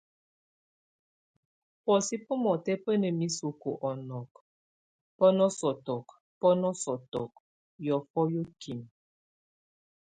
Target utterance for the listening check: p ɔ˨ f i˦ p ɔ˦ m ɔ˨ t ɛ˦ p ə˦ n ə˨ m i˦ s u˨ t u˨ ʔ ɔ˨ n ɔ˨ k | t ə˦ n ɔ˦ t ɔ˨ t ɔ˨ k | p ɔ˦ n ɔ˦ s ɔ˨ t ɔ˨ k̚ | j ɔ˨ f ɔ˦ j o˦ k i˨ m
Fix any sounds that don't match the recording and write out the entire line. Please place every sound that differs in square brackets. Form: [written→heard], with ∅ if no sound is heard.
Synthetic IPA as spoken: p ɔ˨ [f→s] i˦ p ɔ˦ m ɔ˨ t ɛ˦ p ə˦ n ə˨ m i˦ s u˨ [t→k] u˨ ʔ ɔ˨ n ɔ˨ k | [t→p] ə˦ n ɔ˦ [t→s] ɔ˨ t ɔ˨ k | p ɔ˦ n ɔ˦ s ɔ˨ t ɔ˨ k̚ | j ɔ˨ f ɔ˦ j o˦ k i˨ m